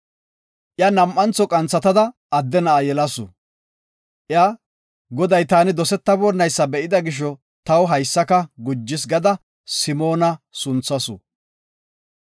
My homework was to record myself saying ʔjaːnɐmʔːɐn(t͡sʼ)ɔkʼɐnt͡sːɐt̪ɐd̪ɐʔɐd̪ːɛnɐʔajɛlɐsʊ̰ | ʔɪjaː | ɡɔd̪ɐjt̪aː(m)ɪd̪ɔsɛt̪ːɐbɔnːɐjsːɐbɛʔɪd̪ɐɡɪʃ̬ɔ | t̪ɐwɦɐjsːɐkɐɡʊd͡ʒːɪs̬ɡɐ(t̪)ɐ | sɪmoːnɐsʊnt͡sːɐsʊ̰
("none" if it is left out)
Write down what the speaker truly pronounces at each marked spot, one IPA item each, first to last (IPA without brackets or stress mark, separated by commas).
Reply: t͡s, n, d̪